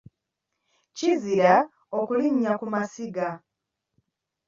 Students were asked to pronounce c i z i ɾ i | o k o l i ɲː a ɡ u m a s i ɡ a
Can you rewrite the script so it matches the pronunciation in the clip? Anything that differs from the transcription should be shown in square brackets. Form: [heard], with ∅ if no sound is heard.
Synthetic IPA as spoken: c i z i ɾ [a] | o k [u] l i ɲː a [k] u m a s i ɡ a